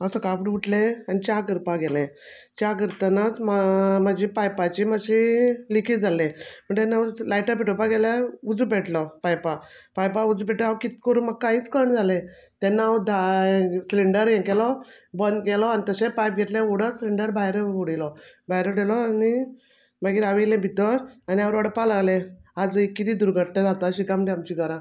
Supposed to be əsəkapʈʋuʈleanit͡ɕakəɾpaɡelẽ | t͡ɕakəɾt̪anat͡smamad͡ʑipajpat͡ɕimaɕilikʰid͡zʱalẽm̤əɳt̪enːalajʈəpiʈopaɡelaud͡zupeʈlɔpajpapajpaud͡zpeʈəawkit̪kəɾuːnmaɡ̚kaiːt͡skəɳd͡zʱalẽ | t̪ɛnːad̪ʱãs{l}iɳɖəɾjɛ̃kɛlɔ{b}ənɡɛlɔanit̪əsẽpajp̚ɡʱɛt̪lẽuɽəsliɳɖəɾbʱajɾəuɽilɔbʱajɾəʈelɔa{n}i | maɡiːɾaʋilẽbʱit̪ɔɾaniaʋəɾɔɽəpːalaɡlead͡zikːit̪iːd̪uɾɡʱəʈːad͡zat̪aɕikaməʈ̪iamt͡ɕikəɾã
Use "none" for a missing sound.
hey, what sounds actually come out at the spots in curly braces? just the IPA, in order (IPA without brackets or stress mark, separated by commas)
l, b, n